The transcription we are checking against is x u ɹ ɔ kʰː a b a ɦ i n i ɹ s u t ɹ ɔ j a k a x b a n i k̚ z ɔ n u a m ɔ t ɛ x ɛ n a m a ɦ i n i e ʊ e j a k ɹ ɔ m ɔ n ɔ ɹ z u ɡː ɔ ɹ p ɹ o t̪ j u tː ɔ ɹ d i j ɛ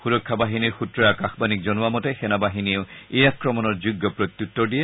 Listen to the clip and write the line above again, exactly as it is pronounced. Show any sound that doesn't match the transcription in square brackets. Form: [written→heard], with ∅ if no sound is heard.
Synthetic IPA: x u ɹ ɔ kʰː a b a ɦ i n i ɹ [s→x] u t ɹ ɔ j a k a x b a n i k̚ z ɔ n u a m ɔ t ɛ x ɛ n a [m→b] a ɦ i n i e ʊ e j a k ɹ ɔ m ɔ n ɔ ɹ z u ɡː ɔ [ɹ→∅] p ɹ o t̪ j u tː ɔ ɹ d i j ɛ